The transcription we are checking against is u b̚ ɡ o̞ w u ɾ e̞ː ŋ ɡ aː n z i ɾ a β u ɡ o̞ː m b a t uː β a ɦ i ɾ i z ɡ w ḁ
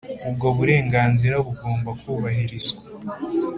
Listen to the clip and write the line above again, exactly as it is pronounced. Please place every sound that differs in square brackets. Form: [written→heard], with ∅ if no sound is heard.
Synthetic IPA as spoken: u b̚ ɡ o̞ [w→β] u ɾ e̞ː ŋ ɡ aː n z i ɾ a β u ɡ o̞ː m b a [t→k] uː β a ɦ i ɾ i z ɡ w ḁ